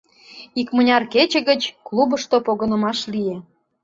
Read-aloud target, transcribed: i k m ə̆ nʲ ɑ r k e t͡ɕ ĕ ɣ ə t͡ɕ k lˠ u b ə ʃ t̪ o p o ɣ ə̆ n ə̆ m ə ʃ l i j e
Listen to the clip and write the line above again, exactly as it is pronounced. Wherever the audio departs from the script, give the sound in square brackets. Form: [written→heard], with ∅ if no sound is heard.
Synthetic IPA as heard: i k m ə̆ nʲ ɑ r k e t͡ɕ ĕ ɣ ə t͡ɕ k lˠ u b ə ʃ t̪ o p o ɣ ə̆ n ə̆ m [ə→ɑ] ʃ l i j e